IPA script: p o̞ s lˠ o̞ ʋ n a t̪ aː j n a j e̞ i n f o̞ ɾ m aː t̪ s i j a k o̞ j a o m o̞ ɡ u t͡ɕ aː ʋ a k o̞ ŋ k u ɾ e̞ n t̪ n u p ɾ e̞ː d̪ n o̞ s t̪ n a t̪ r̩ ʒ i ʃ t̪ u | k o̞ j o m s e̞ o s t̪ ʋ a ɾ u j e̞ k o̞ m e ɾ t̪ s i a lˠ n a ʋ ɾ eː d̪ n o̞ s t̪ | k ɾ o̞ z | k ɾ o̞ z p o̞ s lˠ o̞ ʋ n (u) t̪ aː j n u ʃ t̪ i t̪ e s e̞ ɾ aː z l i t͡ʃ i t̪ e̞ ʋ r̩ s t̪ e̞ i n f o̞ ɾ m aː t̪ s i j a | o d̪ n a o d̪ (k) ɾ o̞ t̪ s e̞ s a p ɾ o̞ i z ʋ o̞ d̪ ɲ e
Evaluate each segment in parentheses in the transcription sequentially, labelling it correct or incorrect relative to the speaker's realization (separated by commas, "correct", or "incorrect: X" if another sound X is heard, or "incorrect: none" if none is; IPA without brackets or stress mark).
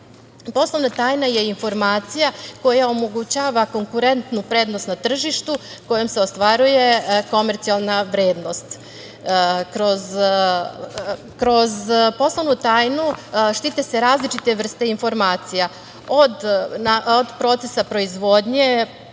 correct, incorrect: p